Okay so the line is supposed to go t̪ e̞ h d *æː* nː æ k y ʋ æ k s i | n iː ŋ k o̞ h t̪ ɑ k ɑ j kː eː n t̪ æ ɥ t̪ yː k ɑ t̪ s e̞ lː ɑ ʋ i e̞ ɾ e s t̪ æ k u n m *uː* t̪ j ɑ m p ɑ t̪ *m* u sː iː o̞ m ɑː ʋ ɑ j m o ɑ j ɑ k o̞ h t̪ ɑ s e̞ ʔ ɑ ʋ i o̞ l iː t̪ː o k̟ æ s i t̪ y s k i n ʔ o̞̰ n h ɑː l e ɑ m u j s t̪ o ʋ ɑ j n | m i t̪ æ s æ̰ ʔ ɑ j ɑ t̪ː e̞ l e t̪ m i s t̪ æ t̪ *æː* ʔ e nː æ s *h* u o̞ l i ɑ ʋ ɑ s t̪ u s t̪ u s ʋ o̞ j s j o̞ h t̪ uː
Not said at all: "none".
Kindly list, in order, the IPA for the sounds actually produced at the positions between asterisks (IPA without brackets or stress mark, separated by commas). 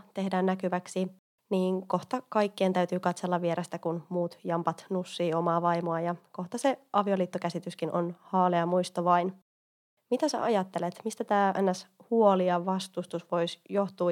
æː, uː, n, æː, h